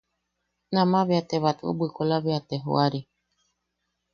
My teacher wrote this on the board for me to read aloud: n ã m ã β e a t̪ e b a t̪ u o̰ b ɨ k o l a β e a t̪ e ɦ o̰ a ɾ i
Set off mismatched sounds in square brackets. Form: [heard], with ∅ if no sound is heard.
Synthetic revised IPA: n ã m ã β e a t̪ e [β] a t̪ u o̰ b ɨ k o l a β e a t̪ e ɦ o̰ a ɾ i